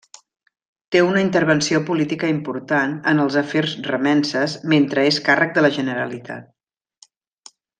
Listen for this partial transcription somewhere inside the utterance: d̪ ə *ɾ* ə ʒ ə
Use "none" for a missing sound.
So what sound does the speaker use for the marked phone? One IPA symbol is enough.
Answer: l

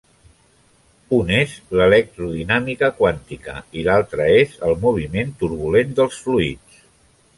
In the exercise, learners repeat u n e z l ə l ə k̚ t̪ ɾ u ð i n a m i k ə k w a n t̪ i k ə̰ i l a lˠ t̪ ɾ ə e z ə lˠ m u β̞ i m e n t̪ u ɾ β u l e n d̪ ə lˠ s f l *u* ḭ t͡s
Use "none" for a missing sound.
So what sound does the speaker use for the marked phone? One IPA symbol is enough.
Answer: u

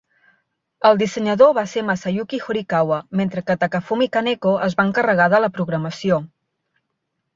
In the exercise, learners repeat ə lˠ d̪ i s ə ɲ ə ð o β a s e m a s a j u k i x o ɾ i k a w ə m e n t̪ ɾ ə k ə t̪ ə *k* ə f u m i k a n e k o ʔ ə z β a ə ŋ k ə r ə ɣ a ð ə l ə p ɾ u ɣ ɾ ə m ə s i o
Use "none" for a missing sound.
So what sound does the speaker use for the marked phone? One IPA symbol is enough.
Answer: k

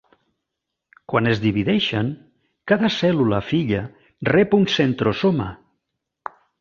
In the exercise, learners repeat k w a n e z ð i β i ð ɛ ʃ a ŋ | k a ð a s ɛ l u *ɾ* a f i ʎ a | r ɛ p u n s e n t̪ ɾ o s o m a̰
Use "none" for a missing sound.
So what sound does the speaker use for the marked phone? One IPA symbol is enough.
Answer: l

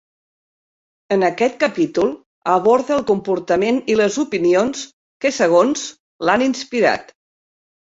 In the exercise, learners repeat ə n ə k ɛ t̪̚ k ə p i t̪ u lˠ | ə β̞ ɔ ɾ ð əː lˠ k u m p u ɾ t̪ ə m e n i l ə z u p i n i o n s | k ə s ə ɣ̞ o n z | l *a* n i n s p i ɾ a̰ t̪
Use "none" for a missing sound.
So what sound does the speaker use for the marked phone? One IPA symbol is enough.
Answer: a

